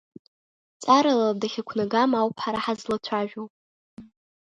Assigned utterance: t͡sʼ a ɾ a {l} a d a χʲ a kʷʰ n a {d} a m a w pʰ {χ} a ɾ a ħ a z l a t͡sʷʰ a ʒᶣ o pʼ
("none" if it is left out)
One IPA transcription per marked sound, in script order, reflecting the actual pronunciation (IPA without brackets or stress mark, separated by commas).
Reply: l, ɡ, ħ